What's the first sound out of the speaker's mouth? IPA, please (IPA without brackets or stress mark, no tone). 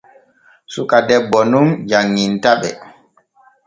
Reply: s